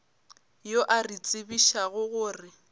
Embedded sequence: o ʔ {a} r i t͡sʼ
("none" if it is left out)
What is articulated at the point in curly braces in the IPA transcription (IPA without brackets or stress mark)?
a